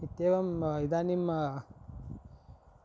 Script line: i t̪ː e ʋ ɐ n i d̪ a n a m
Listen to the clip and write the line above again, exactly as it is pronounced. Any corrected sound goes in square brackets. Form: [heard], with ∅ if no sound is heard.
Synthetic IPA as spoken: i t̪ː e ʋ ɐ [m] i d̪ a n [i] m